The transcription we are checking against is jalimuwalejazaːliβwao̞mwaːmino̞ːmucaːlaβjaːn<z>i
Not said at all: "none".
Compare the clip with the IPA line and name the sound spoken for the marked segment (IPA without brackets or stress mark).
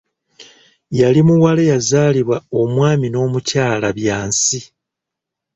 s